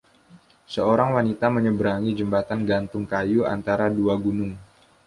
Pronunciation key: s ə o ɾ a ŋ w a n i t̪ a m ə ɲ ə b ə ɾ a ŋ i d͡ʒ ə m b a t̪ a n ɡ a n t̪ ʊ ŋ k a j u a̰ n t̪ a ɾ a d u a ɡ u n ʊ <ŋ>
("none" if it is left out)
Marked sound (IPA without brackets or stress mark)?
ŋ